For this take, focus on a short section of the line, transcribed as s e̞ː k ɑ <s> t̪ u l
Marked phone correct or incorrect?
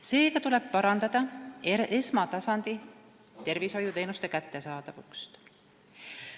incorrect